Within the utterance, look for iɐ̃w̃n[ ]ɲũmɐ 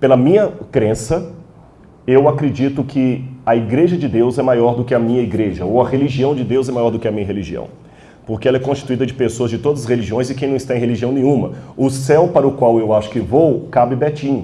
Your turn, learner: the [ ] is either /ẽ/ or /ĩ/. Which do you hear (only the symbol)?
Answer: ẽ